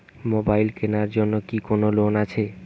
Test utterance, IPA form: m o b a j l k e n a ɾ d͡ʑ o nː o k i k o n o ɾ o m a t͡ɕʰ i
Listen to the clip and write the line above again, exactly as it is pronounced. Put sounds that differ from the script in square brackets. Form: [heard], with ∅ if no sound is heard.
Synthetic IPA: m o b a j l k e n a ɾ d͡ʑ o nː o k i k o n o [l] o [n] a t͡ɕʰ [e]

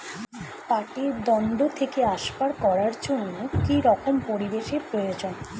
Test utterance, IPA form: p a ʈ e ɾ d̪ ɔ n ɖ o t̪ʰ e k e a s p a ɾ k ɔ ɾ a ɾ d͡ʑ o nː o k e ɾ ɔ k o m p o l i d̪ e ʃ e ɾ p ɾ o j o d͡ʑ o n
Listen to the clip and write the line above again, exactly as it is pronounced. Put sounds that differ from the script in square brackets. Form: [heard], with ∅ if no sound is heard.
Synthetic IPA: p a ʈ e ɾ d̪ ɔ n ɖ o t̪ʰ e k e a [ʃ] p a ɾ k ɔ ɾ a ɾ d͡ʑ o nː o k [i] ɾ ɔ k o m p o [ɾ] i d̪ e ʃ e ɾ p ɾ o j o d͡ʑ o n

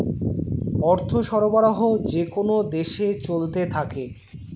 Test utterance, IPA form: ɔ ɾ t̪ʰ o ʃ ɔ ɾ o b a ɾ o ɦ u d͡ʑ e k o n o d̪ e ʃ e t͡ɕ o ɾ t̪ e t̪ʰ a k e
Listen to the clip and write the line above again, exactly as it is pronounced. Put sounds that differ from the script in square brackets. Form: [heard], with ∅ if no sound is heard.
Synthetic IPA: ɔ ɾ t̪ʰ o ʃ ɔ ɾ o b a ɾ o ɦ [o] d͡ʑ e k o n o d̪ e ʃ e t͡ɕ o [l] t̪ e t̪ʰ a k e

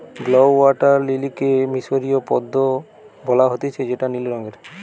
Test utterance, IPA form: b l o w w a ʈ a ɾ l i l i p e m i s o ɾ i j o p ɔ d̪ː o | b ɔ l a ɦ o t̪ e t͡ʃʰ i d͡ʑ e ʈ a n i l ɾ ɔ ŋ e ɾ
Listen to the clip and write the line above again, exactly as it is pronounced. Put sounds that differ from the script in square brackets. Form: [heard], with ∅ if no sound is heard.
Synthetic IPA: b l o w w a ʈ a ɾ l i l i [k] e m i s o ɾ i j o p ɔ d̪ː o | b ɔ l a ɦ o t̪ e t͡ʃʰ [e] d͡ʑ e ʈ a n i l ɾ ɔ ŋ e ɾ

